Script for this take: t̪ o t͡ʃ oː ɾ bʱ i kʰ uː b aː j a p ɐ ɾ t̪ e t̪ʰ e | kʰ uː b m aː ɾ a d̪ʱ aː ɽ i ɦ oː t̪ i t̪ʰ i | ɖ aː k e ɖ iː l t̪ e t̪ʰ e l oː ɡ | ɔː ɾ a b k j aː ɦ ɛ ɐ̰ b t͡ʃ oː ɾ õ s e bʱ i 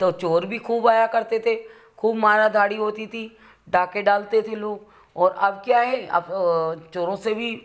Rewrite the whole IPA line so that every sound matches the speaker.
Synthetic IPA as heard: t̪ o t͡ʃ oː ɾ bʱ i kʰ uː b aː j a k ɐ ɾ t̪ e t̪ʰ e | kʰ uː b m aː ɾ a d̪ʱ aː ɽ i ɦ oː t̪ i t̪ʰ i | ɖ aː k e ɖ aː l t̪ e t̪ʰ e l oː ɡ | ɔː ɾ ɐ b k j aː ɦ ɛ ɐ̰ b t͡ʃ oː ɾ õ s e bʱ i

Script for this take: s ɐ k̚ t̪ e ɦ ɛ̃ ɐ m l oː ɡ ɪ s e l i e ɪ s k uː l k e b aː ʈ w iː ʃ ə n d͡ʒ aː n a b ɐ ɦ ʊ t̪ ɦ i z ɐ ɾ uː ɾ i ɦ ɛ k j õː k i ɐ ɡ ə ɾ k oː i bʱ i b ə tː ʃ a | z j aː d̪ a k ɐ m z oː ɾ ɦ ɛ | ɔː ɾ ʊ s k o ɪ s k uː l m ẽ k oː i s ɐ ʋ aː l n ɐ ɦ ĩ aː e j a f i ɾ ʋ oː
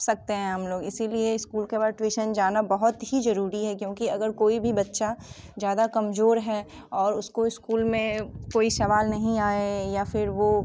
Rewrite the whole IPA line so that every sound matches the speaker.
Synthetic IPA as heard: s ɐ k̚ t̪ e ɦ ɛ̃ ɐ m l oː ɡ ɪ s i l i e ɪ s k uː l k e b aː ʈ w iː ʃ ə n d͡ʒ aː n a b ɐ ɦ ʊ t̪ ɦ i z ɐ ɾ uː ɾ i ɦ ɛ k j õː k i ɐ ɡ ə ɾ k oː i bʱ i b ɐ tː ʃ a | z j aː d̪ a k ɐ m z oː ɾ ɦ ɛ | ɔː ɾ ʊ s k o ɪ s k uː l m ẽ k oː i s ɐ ʋ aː l n ɐ ɦ ĩ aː e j a f ɪ ɾ ʋ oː

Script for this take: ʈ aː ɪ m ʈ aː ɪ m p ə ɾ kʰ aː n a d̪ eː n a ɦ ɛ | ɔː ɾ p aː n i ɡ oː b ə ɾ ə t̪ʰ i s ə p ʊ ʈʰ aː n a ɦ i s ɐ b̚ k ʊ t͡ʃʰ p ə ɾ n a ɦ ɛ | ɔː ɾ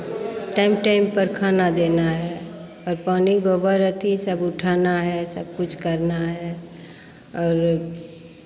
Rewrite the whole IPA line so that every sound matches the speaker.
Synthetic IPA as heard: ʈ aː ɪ m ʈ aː ɪ m p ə ɾ kʰ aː n a d̪ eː n a ɦ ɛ | ɔː ɾ p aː n i ɡ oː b ə ɾ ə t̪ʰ i s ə b ʊ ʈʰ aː n a ɦ ɛ s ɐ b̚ k ʊ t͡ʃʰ k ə ɾ n a ɦ ɛ | ɔː ɾ

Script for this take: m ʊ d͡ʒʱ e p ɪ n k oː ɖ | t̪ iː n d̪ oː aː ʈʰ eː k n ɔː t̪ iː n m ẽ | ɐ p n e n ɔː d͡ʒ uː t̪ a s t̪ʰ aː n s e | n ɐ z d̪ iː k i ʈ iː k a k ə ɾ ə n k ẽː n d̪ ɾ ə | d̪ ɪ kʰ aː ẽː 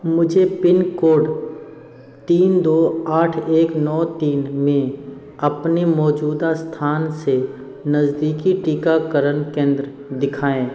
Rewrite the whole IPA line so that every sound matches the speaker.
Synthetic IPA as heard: m ʊ d͡ʒʱ e p ɪ n k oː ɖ | t̪ iː n d̪ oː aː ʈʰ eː k n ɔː t̪ iː n m ẽ | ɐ p n e m ɔː d͡ʒ uː d̪ a s t̪ʰ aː n s e | n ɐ z d̪ iː k i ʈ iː k a k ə ɾ ə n k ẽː n d̪ ɾ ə | d̪ ɪ kʰ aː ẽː

